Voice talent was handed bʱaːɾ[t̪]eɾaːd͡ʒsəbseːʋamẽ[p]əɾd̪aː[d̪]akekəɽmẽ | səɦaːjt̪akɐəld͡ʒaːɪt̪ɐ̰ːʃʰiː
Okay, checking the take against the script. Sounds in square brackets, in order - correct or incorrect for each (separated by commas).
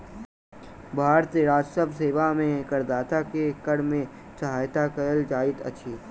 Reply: correct, incorrect, incorrect